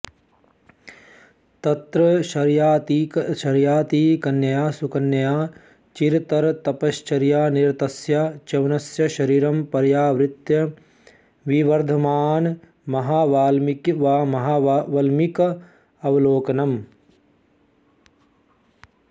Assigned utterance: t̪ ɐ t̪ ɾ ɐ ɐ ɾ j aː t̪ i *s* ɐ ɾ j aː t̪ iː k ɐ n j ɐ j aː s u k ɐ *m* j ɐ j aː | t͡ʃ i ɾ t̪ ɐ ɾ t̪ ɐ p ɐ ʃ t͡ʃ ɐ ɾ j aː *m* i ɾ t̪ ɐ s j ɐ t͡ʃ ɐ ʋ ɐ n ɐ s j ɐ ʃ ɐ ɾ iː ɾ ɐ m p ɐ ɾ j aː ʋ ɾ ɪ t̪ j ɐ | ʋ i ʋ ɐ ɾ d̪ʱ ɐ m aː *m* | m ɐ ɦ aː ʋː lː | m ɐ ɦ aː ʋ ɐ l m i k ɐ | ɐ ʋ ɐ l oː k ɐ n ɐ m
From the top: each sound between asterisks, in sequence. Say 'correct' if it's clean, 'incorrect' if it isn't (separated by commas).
incorrect, incorrect, incorrect, incorrect